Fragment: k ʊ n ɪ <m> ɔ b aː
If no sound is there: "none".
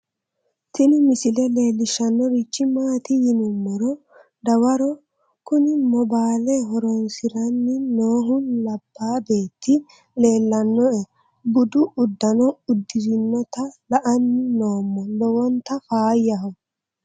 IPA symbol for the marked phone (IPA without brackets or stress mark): m